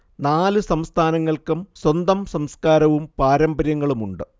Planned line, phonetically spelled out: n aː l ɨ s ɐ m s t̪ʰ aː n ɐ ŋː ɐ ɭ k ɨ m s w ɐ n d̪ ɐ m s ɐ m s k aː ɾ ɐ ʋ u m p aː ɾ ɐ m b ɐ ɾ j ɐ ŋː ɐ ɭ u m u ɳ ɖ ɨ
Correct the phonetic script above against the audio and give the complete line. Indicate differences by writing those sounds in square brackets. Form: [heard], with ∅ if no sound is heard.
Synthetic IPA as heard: n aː l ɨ s ɐ m s t̪ʰ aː n ɐ ŋː ɐ ɭ k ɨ m s w ɐ n d̪ ɐ m s ɐ m s k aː ɾ ɐ ʋ u m p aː ɾ ɐ m b ɐ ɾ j ɐ ŋː ɐ ɭ u m u ɳ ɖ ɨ